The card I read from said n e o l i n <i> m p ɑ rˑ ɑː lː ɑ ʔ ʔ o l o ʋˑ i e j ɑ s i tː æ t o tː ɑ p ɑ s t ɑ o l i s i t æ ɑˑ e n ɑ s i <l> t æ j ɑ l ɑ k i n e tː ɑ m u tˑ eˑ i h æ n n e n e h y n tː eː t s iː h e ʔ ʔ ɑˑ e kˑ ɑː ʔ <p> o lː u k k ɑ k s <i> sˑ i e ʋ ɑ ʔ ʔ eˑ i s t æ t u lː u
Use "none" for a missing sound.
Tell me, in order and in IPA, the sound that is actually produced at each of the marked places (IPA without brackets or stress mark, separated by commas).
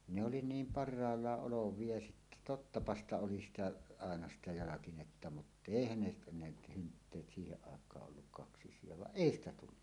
iː, none, ʔ, i